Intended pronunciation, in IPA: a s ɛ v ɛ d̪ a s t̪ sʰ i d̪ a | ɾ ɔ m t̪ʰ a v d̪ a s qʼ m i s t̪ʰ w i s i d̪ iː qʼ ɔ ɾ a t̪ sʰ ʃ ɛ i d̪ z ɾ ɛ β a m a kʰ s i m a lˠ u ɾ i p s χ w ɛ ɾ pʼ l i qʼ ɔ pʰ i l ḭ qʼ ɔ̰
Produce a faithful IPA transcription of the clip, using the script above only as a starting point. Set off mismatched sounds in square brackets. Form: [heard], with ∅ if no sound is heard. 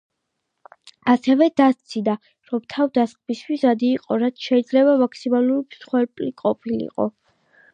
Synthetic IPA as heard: a s ɛ v ɛ d̪ a s t̪ sʰ i d̪ a | ɾ ɔ m t̪ʰ a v d̪ a s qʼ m i s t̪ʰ w i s [a] d̪ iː qʼ ɔ ɾ a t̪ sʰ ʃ ɛ i d̪ z [l] ɛ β a m a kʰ s i m a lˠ u ɾ i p s χ w ɛ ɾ pʼ l i qʼ ɔ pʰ i l ḭ qʼ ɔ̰